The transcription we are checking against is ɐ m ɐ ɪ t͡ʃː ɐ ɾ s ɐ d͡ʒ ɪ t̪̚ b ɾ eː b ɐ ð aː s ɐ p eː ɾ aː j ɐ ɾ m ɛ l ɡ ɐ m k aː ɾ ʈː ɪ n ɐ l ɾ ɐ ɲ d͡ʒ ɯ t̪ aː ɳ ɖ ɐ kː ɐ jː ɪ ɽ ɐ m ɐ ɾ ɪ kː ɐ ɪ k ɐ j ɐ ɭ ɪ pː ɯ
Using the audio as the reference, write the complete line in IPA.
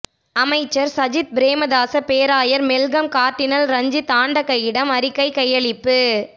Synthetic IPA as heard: ɐ m ɐ ɪ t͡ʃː ɐ ɾ s ɐ d͡ʒ ɪ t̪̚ b ɾ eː m ɐ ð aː s ɐ p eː ɾ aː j ɐ ɾ m ɛ l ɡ ɐ m k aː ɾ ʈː ɪ n ɐ l ɾ ɐ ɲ d͡ʒ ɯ t̪ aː ɳ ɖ ɐ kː ɐ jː ɪ ɽ ɐ m ɐ ɾ ɪ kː ɐ ɪ k ɐ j ɐ ɭ ɪ pː ɯ